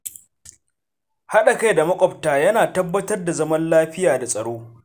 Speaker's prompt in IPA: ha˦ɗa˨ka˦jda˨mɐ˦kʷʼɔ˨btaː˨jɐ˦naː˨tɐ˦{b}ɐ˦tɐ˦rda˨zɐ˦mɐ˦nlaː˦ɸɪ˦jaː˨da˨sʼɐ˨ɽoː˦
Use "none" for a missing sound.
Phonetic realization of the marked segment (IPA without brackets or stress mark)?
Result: bː